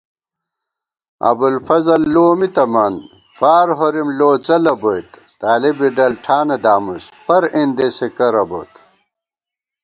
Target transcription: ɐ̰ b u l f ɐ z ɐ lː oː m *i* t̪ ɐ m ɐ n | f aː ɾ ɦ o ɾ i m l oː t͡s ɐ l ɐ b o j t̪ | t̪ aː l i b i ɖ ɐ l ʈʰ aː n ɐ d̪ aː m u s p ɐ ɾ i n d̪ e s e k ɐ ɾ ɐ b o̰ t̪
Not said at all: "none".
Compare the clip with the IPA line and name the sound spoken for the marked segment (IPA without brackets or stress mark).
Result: i